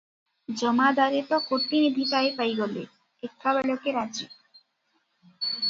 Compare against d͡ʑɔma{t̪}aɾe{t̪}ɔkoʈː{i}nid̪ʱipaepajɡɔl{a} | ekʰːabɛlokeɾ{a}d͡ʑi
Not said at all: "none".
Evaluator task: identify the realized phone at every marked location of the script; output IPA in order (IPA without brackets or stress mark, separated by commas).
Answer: d̪, t̪, i, e, a